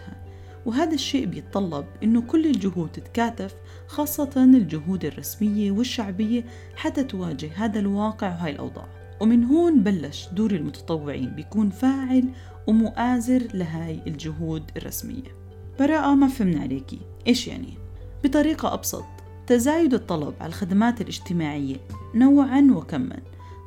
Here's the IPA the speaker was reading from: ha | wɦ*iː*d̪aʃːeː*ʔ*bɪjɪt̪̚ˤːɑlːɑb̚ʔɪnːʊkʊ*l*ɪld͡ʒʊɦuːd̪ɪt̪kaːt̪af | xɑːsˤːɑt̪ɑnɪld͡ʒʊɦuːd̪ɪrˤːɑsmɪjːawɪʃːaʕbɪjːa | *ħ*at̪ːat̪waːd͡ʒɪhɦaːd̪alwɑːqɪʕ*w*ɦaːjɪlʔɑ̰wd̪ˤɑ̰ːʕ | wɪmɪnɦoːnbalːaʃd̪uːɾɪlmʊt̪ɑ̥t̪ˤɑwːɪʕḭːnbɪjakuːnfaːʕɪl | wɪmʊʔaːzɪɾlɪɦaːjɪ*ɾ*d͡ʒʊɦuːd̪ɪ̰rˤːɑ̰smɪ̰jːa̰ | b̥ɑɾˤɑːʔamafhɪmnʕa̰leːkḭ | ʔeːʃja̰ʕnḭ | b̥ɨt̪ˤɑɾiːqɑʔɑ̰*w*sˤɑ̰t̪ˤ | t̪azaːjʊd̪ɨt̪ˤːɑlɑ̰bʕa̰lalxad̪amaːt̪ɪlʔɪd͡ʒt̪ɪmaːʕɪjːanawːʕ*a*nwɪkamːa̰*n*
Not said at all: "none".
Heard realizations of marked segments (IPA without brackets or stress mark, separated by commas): aː, ʔ, lː, ħ, w, l, b, a, n